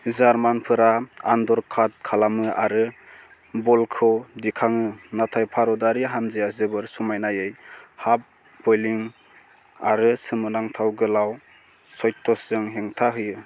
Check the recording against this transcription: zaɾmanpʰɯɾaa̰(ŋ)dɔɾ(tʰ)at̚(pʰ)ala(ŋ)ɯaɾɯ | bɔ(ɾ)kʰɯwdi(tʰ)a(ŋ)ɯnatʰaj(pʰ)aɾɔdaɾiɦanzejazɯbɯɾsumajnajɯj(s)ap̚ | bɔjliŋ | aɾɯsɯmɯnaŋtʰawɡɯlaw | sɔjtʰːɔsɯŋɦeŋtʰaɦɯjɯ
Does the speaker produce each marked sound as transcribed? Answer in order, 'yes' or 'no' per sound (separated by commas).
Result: no, no, no, no, no, no, yes, yes, no